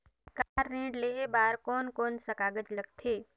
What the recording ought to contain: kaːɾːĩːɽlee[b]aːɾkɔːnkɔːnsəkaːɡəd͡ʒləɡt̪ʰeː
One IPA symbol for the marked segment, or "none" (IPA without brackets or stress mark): b